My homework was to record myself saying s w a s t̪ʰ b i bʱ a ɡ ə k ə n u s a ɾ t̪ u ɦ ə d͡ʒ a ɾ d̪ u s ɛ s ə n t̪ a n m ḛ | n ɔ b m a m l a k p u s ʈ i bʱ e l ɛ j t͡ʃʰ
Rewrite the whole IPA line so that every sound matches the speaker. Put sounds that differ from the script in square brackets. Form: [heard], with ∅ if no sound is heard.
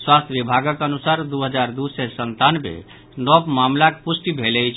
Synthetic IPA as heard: s w a s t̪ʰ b i bʱ a ɡ ə k ə n u s a ɾ [d̪] u ɦ ə d͡ʒ a ɾ d̪ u s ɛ s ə n t̪ a n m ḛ | n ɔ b m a m l a k p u s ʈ i bʱ e l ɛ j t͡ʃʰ